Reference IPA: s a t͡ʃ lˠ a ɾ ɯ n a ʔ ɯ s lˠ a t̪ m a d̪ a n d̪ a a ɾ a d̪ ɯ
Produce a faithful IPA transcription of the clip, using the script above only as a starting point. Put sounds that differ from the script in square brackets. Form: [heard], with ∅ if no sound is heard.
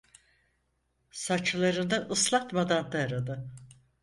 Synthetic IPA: s a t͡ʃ lˠ a ɾ ɯ n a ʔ ɯ s lˠ a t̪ m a d̪ a n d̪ a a ɾ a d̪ ɯ